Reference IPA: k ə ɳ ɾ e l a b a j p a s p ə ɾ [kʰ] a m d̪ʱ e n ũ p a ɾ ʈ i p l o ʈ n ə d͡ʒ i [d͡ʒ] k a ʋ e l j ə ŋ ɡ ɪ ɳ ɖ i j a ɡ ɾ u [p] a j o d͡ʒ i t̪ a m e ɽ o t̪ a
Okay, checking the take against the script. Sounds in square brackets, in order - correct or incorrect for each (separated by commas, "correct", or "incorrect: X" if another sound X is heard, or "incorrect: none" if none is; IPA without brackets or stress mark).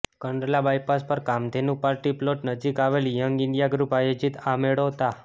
incorrect: k, incorrect: none, correct